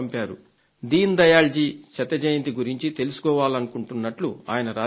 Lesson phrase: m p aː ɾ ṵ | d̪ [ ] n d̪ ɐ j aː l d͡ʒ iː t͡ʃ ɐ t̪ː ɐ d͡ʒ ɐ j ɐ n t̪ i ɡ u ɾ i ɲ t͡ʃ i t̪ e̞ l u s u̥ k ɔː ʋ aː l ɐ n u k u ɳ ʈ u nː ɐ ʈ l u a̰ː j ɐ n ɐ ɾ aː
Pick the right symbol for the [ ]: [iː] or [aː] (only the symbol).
iː